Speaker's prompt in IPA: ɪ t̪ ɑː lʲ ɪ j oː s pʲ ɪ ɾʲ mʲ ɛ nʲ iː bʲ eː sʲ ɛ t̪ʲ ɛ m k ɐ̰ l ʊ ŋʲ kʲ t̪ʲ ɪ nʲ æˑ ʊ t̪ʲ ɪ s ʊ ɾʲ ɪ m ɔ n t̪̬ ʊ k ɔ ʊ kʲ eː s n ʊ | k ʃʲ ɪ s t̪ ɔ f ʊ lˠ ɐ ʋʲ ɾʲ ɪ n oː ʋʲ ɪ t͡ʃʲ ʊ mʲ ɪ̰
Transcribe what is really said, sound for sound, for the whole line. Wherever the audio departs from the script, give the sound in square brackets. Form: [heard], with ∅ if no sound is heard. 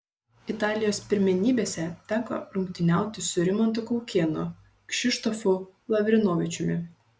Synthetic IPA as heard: ɪ t̪ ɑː lʲ ɪ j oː s pʲ ɪ ɾʲ mʲ ɛ nʲ iː bʲ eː sʲ ɛ t̪ʲ ɛ [ŋ] k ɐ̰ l ʊ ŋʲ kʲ t̪ʲ ɪ nʲ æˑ ʊ t̪ʲ ɪ s ʊ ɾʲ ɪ m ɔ n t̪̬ ʊ k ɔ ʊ kʲ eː [∅] n ʊ | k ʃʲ ɪ [ʃ] t̪ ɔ f ʊ lˠ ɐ ʋʲ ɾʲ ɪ n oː ʋʲ ɪ t͡ʃʲ ʊ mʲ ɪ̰